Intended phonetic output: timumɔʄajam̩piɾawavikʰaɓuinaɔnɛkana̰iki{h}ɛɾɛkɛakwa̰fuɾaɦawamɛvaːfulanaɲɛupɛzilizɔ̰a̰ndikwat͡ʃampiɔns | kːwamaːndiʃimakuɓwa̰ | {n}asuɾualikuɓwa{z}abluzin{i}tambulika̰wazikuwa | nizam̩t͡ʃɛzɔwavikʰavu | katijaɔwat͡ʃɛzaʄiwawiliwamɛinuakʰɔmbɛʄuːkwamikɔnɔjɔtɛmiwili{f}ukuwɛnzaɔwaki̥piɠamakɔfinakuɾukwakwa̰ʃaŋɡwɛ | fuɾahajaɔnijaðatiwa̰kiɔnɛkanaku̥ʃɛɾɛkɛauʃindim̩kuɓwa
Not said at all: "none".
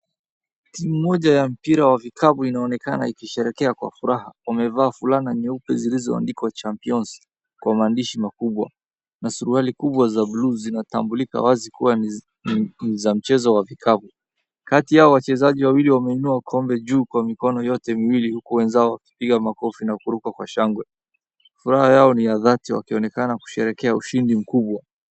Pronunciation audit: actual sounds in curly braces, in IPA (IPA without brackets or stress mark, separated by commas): ʃ, n, z, a, h